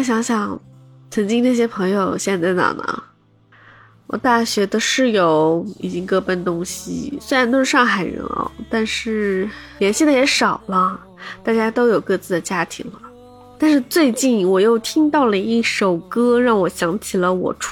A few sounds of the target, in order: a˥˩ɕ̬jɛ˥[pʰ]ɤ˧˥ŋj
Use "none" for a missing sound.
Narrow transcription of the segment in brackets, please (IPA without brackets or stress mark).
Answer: pʰ